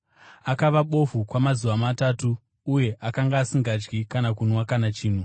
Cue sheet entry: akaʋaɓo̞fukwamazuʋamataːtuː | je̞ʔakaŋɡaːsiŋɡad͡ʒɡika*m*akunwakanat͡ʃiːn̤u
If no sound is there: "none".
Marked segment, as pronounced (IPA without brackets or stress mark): n